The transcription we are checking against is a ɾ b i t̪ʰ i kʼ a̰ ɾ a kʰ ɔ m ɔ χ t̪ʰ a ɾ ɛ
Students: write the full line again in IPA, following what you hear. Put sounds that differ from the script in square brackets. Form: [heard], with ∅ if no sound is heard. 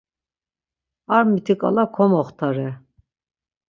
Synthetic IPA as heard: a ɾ [m] i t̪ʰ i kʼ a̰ [l] a kʰ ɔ m ɔ χ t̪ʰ a ɾ ɛ